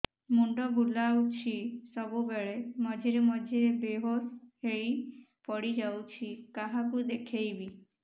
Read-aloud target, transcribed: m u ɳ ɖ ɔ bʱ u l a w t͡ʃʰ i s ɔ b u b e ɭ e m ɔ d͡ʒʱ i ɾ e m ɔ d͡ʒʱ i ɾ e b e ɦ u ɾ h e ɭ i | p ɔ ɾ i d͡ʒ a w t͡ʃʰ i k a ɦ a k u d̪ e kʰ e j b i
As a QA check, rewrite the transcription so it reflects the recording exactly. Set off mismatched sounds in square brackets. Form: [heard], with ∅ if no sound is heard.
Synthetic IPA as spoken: m u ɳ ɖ ɔ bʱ u l a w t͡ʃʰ i s ɔ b u b e ɭ e m ɔ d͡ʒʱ i ɾ e m ɔ d͡ʒʱ i ɾ e b e ɦ [o] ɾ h e ɭ i | p ɔ [ɽ] i d͡ʒ a w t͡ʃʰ i k a ɦ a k u d̪ e kʰ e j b i